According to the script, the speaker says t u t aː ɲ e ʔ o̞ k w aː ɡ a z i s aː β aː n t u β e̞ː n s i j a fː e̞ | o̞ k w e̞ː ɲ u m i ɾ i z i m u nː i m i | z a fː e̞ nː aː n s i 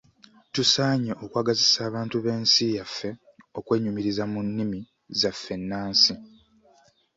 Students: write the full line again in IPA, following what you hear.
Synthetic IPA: t u s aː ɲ e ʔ o̞ k w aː ɡ a z i s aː β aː n t u β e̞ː n s i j a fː e̞ | o̞ k w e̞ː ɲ u m i ɾ i z a m u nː i m i | z a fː e̞ nː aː n s i